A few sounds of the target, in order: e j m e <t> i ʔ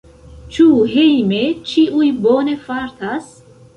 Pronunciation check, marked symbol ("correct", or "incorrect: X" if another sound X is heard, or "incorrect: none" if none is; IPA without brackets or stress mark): incorrect: t͡ʃ